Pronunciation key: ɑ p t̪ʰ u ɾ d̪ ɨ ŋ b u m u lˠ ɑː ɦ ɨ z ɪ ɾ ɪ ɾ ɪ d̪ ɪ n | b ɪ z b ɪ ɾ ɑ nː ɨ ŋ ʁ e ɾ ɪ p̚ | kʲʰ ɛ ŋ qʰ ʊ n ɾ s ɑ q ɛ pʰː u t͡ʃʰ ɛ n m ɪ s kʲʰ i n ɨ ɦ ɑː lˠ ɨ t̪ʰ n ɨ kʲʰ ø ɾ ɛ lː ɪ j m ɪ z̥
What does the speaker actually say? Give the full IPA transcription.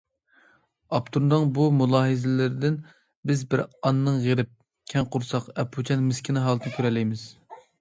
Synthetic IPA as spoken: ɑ p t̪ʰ u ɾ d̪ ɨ ŋ b u m u lˠ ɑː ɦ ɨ z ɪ l ɪ ɾ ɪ d̪ ɪ n | b ɪ z b ɪ ɾ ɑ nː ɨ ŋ ʁ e ɾ ɪ p̚ | kʲʰ ɛ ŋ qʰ ʊ ɾ s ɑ q ɛ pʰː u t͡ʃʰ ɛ n m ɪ s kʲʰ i n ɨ ɦ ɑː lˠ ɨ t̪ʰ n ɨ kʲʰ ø ɾ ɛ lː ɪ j m ɪ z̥